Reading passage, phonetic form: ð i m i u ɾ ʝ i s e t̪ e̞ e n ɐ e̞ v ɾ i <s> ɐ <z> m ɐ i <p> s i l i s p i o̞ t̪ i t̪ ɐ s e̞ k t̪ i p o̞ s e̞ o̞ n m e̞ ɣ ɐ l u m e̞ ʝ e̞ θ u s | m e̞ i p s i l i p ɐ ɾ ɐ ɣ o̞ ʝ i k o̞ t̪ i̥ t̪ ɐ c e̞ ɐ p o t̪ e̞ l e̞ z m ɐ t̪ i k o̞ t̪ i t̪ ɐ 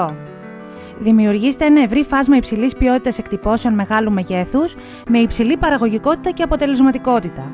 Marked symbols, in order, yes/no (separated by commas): no, yes, yes